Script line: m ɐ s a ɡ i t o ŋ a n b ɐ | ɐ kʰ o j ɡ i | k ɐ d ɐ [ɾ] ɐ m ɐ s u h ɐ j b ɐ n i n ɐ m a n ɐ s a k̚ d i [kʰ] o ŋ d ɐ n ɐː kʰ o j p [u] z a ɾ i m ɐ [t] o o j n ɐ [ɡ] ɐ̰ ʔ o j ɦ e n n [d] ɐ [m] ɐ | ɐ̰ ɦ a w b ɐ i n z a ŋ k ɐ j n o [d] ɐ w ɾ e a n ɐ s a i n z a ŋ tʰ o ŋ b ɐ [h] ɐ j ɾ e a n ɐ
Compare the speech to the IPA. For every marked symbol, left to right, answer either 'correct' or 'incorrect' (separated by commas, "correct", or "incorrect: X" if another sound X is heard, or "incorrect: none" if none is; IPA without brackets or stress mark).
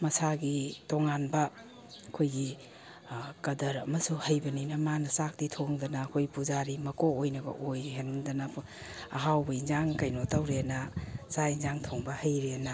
correct, incorrect: tʰ, correct, incorrect: k, correct, correct, incorrect: n, incorrect: t, correct